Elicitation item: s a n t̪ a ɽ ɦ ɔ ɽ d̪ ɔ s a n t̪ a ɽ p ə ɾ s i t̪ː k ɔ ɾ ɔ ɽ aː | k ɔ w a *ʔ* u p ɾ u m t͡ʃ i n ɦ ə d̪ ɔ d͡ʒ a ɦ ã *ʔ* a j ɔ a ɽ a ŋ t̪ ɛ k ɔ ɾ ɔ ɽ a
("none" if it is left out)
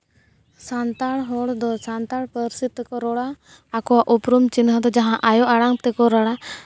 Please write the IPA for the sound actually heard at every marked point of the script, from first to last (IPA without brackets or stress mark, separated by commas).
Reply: ʔ, ʔ